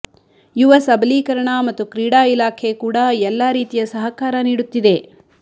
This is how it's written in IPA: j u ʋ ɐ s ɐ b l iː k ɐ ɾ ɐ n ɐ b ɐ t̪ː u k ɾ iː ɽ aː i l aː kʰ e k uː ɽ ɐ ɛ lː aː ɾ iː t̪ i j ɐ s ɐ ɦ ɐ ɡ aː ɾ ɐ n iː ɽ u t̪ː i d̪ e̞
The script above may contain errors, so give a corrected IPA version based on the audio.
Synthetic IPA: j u ʋ ɐ s ɐ b l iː k ɐ ɾ ɐ ɳ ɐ m ɐ t̪ː u k ɾ iː ɽ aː i l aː kʰ e k uː ɽ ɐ ɛ lː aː ɾ iː t̪ i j ɐ s ɐ ɦ ɐ k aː ɾ ɐ n iː ɽ u t̪ː i d̪ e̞